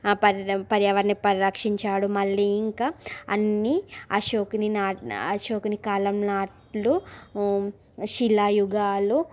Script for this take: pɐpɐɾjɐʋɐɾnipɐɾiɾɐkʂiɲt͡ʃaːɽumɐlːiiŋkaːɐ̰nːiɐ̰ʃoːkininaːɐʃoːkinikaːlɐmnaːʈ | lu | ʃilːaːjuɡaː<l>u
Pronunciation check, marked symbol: correct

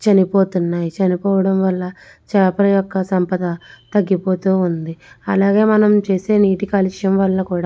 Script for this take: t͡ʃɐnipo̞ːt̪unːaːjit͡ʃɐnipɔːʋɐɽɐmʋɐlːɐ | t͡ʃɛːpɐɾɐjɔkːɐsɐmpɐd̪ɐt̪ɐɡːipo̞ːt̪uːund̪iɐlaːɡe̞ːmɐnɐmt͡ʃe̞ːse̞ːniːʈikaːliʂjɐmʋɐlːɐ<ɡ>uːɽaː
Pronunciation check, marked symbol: incorrect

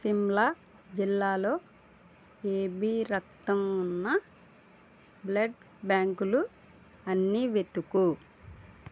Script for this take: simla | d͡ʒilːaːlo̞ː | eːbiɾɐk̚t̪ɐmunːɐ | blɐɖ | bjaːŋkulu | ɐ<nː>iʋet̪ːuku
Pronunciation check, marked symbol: correct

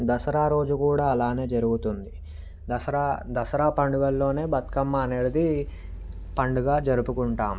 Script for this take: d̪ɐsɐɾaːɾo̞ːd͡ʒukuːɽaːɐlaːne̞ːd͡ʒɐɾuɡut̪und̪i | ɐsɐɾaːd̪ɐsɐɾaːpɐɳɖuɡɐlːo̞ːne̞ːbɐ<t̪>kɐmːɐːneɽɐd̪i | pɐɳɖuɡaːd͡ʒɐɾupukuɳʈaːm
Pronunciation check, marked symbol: correct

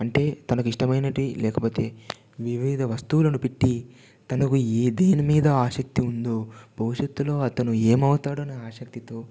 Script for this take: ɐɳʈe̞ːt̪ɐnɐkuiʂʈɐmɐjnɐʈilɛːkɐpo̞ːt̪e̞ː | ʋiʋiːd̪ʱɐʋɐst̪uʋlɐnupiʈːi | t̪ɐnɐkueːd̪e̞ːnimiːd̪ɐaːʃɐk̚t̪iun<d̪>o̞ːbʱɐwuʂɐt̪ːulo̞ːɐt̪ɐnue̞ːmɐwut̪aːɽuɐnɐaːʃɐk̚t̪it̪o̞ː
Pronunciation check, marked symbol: correct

